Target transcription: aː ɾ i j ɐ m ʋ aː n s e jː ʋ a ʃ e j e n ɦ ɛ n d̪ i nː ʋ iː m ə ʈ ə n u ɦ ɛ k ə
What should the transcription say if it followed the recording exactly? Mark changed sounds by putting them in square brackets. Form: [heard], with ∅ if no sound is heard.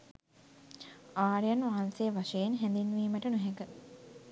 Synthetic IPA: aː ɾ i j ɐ [n] ʋ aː n s e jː ʋ a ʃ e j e n ɦ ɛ n d̪ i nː ʋ iː m ə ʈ ə n u ɦ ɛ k ə